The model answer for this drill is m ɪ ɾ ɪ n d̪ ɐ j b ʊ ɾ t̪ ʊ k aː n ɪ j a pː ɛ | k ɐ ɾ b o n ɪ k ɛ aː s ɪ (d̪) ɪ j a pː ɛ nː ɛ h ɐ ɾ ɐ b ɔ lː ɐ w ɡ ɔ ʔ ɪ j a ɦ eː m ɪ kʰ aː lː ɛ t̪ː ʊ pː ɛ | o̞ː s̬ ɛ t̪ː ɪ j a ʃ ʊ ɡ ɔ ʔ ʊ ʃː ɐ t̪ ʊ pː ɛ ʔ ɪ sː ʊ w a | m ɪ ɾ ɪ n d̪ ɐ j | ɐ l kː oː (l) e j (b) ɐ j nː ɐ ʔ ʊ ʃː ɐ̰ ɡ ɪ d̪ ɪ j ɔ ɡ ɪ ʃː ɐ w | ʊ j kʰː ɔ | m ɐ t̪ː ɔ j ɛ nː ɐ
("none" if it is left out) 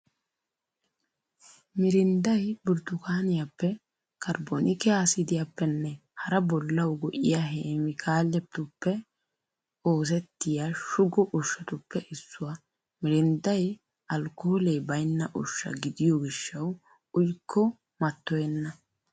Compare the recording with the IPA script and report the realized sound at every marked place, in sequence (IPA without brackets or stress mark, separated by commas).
d̪, l, b